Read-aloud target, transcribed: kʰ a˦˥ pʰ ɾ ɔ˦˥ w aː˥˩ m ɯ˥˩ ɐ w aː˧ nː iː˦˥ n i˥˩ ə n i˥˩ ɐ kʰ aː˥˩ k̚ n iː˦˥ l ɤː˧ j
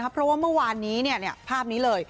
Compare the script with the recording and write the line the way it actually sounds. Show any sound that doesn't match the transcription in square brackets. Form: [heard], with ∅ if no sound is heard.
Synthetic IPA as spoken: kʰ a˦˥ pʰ ɾ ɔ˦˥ w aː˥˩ m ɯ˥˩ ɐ w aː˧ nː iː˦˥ n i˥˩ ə n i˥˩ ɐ [pʰ] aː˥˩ [p̚] n iː˦˥ l ɤː˧ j